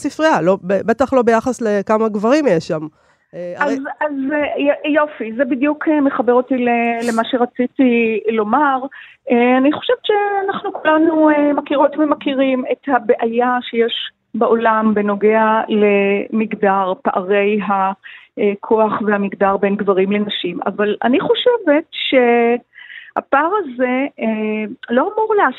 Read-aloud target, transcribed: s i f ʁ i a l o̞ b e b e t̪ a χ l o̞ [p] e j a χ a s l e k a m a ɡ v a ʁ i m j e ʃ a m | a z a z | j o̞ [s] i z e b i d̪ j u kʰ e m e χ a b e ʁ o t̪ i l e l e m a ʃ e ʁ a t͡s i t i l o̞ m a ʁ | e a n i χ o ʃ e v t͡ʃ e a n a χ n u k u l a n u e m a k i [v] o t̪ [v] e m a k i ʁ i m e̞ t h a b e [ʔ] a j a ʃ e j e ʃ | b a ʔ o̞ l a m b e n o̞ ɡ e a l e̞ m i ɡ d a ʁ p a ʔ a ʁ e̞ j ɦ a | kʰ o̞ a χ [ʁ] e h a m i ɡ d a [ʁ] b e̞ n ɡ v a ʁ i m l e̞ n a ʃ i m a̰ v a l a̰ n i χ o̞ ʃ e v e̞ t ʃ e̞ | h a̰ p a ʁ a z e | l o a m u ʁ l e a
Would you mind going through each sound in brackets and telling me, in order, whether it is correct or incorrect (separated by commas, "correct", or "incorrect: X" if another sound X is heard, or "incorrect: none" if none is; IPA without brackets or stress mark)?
incorrect: b, incorrect: f, incorrect: ʁ, correct, correct, incorrect: v, correct